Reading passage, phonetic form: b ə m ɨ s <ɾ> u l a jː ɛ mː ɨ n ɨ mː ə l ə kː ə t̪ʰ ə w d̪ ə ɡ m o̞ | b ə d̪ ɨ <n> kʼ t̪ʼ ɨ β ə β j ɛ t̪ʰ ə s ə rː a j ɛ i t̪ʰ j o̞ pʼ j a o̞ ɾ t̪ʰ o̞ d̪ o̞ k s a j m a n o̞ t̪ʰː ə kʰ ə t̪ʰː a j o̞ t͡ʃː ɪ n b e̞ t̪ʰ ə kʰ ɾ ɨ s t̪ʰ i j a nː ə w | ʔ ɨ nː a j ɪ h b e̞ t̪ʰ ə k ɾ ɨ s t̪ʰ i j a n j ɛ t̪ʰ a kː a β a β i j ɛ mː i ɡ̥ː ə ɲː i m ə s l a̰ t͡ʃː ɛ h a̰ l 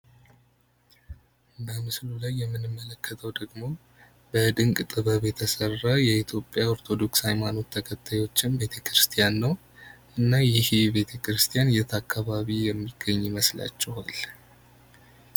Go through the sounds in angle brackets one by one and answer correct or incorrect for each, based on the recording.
incorrect, incorrect

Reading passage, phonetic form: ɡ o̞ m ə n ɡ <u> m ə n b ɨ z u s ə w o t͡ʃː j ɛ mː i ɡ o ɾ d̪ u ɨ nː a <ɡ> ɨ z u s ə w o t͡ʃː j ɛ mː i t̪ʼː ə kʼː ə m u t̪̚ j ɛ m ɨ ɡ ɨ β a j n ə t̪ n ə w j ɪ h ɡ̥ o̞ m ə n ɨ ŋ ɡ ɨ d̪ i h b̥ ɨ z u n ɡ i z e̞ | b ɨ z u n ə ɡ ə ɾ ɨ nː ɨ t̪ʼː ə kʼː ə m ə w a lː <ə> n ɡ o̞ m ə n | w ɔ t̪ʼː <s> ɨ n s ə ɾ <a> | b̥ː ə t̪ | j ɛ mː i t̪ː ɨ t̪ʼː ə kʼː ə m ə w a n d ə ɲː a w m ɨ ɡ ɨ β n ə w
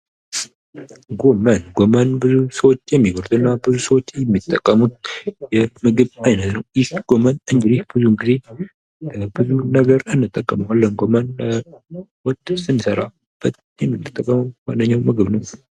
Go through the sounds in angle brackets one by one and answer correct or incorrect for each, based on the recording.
incorrect, incorrect, correct, correct, correct

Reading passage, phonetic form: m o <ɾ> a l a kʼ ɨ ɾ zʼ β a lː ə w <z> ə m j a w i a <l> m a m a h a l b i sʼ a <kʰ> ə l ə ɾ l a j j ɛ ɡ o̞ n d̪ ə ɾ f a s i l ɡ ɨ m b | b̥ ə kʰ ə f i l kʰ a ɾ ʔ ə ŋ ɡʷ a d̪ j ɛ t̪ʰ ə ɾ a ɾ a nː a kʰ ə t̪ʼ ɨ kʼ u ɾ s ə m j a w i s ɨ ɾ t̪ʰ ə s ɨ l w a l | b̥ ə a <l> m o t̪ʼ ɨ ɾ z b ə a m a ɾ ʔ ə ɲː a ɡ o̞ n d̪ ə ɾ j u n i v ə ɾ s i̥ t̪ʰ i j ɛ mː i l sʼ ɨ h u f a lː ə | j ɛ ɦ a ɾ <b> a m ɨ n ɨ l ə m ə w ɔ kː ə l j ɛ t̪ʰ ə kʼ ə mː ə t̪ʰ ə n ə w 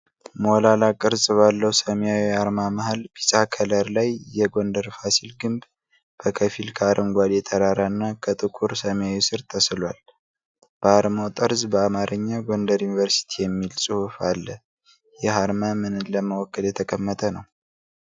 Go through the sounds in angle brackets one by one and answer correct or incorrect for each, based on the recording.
incorrect, incorrect, incorrect, correct, incorrect, incorrect

